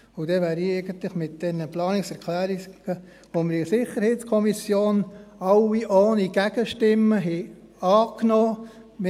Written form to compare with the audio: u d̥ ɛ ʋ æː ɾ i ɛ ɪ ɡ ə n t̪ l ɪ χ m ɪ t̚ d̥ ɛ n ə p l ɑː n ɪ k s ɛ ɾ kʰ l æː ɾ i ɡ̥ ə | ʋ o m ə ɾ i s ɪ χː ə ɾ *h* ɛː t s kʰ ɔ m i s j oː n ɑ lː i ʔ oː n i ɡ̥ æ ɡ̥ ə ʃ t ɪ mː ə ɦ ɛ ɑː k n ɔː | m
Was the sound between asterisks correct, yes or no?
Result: yes